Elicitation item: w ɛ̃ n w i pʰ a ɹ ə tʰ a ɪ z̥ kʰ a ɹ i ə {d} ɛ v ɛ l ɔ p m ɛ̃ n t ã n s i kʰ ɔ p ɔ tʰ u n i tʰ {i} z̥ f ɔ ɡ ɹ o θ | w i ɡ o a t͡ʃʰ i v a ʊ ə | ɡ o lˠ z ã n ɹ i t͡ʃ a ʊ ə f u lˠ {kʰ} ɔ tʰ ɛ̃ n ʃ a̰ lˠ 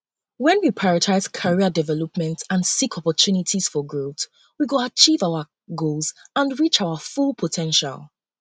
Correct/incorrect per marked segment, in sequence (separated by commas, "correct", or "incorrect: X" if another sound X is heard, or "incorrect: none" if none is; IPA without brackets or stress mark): correct, correct, incorrect: pʰ